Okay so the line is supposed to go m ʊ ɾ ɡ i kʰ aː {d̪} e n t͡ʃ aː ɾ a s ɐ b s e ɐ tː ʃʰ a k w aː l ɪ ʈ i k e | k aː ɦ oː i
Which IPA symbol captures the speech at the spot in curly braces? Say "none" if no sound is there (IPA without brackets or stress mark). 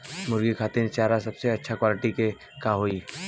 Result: t̪